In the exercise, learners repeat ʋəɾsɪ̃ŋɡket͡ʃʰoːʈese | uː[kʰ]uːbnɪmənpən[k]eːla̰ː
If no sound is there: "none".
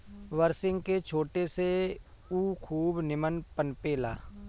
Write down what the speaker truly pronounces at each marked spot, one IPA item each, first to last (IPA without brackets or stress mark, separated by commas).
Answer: kʰ, p